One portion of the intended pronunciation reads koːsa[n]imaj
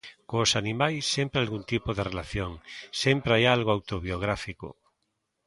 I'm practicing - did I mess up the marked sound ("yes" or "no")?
no